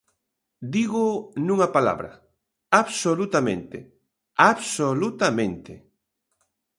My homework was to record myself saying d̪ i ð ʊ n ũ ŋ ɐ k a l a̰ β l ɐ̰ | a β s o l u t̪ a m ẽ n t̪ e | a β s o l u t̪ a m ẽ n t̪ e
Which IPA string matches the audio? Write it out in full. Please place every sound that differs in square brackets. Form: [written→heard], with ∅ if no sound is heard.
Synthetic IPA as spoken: d̪ i [ð→ɣ] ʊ n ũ ŋ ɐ [k→p] a l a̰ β [l→ɾ] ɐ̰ | a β s o l u t̪ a m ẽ n t̪ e | a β s o l u t̪ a m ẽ n t̪ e